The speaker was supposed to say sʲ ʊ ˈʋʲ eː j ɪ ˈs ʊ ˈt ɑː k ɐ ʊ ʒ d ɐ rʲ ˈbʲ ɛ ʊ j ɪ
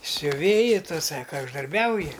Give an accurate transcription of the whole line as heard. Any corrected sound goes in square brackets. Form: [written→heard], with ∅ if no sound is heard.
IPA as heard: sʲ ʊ ˈʋʲ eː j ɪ [ˈs→ˈt] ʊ [ˈt→ˈs] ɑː k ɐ ʊ ʒ d ɐ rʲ ˈbʲ ɛ ʊ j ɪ

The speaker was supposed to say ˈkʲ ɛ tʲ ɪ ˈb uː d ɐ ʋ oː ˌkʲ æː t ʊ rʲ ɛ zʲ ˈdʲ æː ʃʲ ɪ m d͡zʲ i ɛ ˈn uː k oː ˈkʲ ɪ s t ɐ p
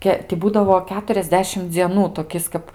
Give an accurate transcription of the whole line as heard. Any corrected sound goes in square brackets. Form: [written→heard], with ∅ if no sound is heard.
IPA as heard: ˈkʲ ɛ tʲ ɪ ˈb uː d ɐ ʋ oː ˌkʲ æː t ʊ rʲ ɛ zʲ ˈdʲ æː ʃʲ ɪ m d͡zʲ i ɛ ˈn uː [k→t] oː ˈkʲ ɪ s [t→k] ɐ p

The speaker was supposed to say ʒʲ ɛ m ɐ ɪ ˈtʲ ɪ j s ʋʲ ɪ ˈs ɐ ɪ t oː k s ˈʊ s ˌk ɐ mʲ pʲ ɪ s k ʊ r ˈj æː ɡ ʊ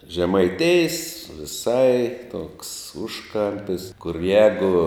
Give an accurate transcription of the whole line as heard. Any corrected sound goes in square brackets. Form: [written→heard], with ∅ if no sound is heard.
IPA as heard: ʒʲ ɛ m ɐ ɪ ˈtʲ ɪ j s ʋʲ ɪ ˈs ɐ ɪ t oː k s ˈʊ [s→ʃ] ˌk ɐ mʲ pʲ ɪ s k ʊ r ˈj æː ɡ ʊ

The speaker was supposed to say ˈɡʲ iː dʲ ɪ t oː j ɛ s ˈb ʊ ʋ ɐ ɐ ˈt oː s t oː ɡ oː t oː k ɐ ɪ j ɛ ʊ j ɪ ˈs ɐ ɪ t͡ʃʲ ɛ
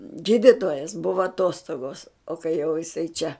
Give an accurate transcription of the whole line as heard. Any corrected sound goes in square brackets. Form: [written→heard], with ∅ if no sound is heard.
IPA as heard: ˈɡʲ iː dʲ ɪ t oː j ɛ s ˈb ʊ ʋ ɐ ɐ ˈt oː s t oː ɡ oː [t→s] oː k ɐ ɪ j ɛ ʊ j ɪ ˈs ɐ ɪ t͡ʃʲ ɛ

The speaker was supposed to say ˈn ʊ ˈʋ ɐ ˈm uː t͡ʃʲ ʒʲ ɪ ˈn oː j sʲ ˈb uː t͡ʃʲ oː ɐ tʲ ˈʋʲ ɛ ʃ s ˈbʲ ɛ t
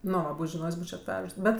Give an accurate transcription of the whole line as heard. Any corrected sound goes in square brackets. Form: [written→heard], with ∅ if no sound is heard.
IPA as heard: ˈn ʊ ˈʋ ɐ [ˈm→ˈb] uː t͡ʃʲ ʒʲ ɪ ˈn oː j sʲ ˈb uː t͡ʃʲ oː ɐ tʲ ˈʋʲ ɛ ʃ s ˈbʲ ɛ t

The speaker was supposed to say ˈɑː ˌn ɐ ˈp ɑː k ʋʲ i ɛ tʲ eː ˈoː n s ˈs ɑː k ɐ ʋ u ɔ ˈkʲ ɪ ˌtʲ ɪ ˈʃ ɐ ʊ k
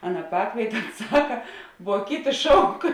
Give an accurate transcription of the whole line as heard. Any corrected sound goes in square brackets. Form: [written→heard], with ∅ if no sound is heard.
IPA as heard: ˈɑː ˌn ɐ ˈp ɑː k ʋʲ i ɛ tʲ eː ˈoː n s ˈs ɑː k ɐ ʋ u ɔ ˈkʲ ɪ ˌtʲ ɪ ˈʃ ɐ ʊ k

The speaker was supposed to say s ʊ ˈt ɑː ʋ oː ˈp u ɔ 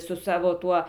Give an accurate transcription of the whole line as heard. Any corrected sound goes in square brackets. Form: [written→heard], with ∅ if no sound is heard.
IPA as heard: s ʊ [ˈt→ˈs] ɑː ʋ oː [ˈp→ˈt] u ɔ

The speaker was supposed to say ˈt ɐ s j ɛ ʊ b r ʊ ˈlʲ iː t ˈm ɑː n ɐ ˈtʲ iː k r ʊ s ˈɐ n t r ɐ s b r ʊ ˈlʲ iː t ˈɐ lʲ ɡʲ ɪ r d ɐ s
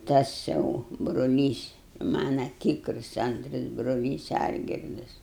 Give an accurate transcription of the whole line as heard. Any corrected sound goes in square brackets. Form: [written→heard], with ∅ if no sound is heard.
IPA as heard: ˈt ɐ s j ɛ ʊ b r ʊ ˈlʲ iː [t→s] ˈm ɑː n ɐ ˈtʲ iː k r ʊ s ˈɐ n t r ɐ s b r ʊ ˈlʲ iː [t→s] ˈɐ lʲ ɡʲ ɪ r d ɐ s

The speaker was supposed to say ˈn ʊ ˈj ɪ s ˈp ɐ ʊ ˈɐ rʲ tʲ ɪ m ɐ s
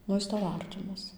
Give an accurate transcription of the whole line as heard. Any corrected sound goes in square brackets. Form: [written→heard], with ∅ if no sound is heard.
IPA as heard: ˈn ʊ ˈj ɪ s [ˈp→ˈt] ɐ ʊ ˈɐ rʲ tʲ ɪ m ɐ s

